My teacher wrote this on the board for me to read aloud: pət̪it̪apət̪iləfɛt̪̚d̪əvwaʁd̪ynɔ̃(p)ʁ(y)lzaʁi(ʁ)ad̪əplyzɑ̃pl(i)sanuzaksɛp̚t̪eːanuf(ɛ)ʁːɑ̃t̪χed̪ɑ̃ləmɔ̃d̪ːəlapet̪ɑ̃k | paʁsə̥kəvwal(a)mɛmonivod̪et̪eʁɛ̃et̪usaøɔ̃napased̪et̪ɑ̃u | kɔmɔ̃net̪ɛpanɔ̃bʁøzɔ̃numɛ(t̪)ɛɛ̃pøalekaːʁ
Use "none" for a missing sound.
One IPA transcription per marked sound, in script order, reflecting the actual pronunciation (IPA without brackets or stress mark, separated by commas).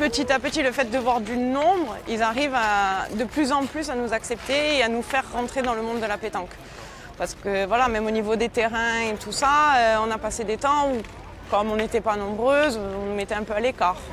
b, i, v, y, ɛ, a, t̪